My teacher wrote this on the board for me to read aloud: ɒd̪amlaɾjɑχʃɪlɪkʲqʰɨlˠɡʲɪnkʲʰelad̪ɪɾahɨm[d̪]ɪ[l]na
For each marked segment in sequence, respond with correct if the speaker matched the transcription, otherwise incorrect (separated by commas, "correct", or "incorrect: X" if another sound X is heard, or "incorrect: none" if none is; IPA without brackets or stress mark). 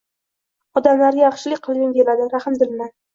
correct, correct